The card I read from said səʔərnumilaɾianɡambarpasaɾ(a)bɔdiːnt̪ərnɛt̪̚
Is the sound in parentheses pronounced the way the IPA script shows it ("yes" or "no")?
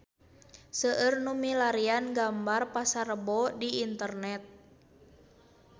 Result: no